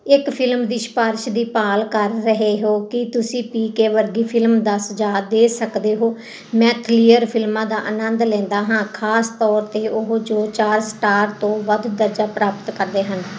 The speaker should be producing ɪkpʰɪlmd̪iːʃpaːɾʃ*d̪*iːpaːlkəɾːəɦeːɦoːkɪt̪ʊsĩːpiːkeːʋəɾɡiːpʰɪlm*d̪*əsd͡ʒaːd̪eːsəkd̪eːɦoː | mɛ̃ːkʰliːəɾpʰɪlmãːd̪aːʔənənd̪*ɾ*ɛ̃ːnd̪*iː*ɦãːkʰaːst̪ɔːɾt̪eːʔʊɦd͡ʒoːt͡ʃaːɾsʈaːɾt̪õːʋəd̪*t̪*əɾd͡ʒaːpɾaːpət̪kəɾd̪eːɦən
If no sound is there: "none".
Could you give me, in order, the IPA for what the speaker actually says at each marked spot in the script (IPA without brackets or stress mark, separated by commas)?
d̪, d̪, l, aː, d̪